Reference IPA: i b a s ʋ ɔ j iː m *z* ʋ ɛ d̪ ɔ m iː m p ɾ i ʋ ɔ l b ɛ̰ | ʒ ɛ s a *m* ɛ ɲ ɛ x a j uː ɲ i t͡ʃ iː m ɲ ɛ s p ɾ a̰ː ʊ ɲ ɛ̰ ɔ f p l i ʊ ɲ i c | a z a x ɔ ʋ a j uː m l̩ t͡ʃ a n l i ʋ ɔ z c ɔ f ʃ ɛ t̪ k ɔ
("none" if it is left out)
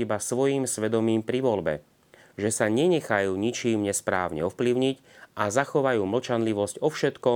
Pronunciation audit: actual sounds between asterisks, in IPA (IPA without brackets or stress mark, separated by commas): s, ɲ